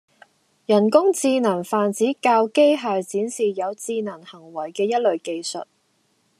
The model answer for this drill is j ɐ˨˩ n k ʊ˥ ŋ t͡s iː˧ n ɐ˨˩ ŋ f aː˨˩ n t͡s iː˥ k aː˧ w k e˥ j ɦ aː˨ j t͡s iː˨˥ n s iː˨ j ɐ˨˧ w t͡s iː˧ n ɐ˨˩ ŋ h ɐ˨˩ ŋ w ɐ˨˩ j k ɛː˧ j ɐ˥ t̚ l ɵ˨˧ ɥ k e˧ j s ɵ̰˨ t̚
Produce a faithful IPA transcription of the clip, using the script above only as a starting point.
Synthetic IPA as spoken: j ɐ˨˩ n k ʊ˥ ŋ t͡s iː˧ n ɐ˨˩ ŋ f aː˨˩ n t͡s iː˨˥ k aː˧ w k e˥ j ɦ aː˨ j t͡s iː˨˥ n s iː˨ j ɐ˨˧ w t͡s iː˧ n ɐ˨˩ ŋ h ɐ˨˩ ŋ w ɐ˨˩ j k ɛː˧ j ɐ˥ t̚ l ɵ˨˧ ɥ k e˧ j s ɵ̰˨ t̚

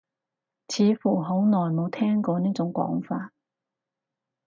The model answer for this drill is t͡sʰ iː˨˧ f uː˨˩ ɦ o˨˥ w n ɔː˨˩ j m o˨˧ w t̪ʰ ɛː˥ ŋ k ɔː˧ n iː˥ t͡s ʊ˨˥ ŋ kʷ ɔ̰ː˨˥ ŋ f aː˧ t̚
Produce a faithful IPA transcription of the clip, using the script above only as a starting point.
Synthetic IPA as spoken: t͡sʰ iː˨˧ f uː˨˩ ɦ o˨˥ w n ɔː˨˩ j m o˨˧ w t̪ʰ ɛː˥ ŋ k ɔː˧ n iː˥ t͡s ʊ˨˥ ŋ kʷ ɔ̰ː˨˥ ŋ f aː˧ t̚

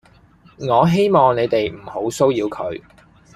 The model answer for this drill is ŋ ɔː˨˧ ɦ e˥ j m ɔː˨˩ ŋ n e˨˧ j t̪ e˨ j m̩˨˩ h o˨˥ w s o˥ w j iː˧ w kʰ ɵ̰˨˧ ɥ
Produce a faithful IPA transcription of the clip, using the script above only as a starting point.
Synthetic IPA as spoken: ŋ ɔː˨˧ ɦ e˥ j m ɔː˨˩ ŋ n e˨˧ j t̪ e˨ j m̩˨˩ h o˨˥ w s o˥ w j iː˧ w kʰ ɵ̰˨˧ ɥ

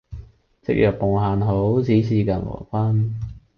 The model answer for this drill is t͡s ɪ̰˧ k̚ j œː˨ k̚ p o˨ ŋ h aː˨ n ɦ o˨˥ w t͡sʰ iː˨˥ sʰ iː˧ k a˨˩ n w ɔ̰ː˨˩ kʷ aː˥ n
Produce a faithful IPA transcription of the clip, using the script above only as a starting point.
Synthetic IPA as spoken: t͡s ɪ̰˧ k̚ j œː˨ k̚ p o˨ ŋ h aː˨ n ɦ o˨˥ w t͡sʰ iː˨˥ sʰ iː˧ k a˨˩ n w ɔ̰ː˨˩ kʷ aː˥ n

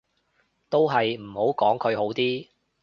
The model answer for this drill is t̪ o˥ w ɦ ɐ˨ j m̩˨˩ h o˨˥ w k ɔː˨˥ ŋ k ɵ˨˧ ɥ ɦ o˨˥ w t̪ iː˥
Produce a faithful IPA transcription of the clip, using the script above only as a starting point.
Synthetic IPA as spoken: t̪ o˥ w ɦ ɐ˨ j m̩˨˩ h o˨˥ w k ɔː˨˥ ŋ kʰ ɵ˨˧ ɥ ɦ o˨˥ w t̪ iː˥

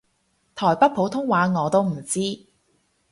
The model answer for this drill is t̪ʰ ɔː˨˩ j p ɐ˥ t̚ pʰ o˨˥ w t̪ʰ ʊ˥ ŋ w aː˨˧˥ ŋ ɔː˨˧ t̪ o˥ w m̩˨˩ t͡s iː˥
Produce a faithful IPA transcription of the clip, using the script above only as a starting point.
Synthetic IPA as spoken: t̪ʰ ɔː˨˩ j p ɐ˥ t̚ pʰ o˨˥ w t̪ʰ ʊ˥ ŋ w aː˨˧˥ ŋ ɔː˨˧ t̪ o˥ w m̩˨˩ t͡s iː˥

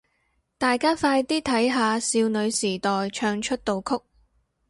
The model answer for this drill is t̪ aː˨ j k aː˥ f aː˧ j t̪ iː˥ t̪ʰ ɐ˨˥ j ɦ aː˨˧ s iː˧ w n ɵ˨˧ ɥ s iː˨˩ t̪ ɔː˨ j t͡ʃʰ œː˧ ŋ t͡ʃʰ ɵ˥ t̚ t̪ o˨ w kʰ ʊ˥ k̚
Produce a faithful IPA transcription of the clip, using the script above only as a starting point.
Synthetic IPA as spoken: t̪ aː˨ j k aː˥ f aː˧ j t̪ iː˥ t̪ʰ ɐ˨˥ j ɦ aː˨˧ s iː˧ w n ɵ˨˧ ɥ s iː˨˩ t̪ ɔː˨ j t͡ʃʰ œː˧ ŋ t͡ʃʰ ɵ˥ t̚ t̪ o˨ w kʰ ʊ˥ k̚

